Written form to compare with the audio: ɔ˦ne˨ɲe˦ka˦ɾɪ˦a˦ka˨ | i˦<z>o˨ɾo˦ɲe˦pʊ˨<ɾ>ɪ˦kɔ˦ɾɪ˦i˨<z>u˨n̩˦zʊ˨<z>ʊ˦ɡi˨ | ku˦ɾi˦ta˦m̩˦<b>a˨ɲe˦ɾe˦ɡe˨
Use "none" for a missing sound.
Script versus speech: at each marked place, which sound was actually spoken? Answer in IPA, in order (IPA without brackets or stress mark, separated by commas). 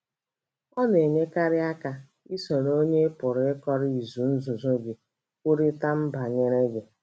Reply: s, ɾ, z, z, b